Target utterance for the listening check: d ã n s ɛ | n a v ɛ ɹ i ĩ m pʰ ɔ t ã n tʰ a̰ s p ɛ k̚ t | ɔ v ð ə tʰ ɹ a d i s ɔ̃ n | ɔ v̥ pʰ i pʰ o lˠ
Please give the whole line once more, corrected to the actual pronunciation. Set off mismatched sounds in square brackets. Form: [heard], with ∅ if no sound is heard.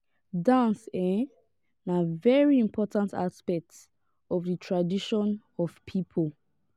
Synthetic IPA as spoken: d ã n s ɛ | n a v ɛ ɹ i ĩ m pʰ ɔ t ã n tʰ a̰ s p ɛ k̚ t | ɔ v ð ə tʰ ɹ a d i [ʃ] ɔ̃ n | ɔ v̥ pʰ i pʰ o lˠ